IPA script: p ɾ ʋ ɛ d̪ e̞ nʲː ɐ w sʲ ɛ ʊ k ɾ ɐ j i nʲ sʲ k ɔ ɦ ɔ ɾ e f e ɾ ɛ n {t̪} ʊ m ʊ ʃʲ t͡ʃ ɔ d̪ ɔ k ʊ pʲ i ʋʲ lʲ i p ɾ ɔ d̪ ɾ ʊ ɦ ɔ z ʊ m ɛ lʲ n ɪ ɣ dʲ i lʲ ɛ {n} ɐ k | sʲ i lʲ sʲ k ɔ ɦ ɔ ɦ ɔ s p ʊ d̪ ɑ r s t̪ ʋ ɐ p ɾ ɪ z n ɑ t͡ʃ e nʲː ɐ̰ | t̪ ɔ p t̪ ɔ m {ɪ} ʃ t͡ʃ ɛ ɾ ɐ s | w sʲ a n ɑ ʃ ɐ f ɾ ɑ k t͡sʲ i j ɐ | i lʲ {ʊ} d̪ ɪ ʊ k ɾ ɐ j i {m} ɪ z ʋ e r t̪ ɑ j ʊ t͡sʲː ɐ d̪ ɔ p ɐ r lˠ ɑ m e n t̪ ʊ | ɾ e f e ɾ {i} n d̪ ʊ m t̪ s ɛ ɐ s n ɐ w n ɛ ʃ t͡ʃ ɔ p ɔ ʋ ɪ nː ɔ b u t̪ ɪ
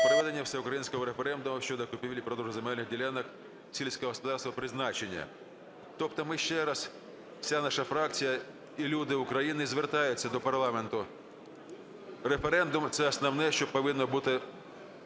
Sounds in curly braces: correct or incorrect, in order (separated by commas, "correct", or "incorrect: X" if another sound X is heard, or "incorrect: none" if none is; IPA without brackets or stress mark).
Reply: incorrect: d̪, correct, correct, incorrect: u, incorrect: n, incorrect: ɛ